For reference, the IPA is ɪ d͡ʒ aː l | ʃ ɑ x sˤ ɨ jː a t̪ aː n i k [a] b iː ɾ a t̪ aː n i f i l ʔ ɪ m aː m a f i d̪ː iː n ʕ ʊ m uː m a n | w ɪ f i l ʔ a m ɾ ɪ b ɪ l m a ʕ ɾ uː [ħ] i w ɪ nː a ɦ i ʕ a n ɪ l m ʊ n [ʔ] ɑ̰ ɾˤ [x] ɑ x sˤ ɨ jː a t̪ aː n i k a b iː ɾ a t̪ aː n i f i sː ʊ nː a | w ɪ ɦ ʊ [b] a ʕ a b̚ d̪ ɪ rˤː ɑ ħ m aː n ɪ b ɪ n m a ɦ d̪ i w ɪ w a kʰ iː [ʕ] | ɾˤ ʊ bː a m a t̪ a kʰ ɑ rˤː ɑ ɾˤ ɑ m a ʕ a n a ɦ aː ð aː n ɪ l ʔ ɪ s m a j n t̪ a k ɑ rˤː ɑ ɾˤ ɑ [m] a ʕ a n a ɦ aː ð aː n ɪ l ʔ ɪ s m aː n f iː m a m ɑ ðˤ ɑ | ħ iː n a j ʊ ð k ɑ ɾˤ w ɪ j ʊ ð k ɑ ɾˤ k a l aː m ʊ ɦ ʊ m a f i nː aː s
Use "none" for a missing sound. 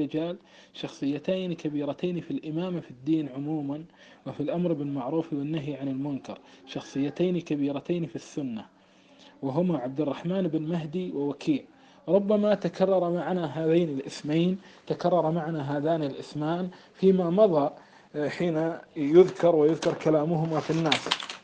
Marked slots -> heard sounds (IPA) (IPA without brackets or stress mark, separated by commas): a, f, k, ʃ, m, ʕ, m